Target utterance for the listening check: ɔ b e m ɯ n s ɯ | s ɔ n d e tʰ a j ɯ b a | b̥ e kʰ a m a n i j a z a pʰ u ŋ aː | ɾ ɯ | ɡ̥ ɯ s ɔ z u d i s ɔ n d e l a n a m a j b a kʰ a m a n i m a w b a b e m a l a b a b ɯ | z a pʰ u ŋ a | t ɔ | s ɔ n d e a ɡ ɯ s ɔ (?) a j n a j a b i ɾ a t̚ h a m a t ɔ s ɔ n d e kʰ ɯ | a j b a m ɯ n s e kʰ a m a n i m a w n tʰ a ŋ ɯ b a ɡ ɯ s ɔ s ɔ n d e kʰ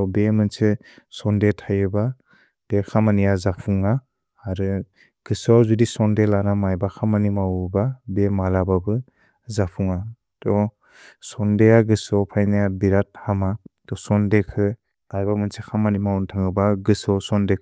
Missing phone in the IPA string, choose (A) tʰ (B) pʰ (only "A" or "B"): B